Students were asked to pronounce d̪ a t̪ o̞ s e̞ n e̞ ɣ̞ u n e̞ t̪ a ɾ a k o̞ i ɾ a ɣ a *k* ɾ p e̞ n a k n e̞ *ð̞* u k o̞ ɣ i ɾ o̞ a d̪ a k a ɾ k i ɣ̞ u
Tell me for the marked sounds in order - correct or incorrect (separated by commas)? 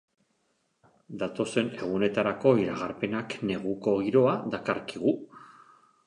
incorrect, incorrect